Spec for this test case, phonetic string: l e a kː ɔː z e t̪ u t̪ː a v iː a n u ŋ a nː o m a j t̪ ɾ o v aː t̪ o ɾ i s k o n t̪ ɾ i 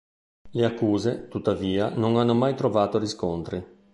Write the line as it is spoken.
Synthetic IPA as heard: l e a kː uː z e t̪ u t̪ː a v iː a n o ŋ a nː o m a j t̪ ɾ o v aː t̪ o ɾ i s k o n t̪ ɾ i